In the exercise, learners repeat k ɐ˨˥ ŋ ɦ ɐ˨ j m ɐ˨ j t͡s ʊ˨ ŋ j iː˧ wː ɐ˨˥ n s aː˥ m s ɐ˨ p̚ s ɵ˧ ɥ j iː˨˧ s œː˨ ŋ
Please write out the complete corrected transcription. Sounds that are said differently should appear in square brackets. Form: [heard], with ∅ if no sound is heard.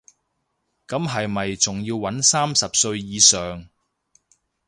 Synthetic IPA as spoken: k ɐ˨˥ [m] ɦ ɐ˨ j m ɐ˨ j t͡s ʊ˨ ŋ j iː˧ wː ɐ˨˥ n s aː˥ m s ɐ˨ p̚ s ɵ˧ ɥ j iː˨˧ s œː˨ ŋ